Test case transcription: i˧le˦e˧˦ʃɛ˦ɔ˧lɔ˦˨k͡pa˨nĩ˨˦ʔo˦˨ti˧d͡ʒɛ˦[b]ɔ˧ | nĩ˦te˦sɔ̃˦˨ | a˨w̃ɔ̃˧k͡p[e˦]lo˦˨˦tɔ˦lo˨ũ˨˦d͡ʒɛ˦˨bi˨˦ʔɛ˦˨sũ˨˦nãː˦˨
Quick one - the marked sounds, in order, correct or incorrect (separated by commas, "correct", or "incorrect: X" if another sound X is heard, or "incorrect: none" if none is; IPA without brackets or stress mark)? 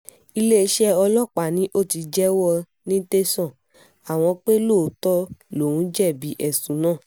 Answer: incorrect: w, correct